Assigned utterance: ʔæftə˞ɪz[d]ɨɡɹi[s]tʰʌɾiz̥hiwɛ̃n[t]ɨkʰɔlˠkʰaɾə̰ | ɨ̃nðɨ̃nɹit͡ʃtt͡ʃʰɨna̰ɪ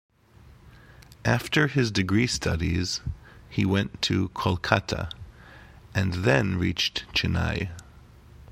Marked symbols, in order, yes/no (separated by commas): yes, yes, no